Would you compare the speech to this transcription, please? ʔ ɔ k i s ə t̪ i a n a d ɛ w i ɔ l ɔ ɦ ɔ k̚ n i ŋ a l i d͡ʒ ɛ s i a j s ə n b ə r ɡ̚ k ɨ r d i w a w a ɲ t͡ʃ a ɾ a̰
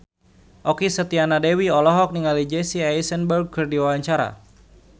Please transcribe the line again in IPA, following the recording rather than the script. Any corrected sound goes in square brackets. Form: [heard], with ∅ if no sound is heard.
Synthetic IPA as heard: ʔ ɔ k i s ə t̪ i a n a d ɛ w i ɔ l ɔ ɦ ɔ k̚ n i ŋ a l i d͡ʒ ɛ s i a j s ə n b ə r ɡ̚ k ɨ r d i w a w a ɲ t͡ʃ a ɾ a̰